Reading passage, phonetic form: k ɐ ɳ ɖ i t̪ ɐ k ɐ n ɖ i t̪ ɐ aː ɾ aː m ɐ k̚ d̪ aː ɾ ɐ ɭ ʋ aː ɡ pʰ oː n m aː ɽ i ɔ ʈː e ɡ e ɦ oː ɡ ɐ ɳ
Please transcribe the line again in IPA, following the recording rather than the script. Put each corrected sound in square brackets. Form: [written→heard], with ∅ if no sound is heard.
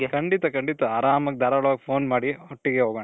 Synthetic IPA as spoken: k ɐ ɳ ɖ i t̪ ɐ k ɐ [n→ɳ] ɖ i t̪ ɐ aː ɾ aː m ɐ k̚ d̪ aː ɾ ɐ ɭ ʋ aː ɡ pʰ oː n m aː ɽ i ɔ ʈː [e→i] ɡ e ɦ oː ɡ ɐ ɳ